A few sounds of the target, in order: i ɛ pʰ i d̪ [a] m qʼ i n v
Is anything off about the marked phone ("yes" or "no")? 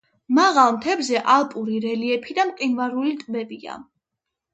no